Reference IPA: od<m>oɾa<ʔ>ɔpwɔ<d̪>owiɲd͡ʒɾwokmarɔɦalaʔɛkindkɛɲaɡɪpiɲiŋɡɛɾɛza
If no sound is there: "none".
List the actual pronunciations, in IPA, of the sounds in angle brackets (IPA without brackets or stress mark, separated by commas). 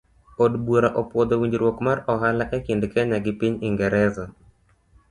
b, ʔ, d̪